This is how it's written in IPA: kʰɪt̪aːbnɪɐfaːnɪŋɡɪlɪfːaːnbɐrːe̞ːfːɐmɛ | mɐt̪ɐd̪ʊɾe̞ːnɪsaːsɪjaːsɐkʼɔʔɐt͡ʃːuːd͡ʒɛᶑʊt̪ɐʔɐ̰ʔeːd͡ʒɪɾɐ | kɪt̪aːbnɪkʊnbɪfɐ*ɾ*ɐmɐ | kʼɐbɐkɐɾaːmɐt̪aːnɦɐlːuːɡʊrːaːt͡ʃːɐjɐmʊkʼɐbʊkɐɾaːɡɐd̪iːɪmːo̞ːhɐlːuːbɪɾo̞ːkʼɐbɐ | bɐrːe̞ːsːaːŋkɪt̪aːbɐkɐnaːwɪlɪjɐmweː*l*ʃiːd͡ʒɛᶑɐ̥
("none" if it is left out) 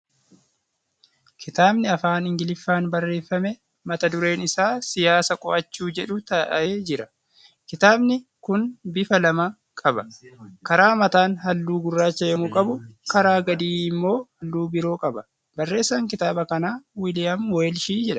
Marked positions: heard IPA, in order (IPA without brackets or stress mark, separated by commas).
l, l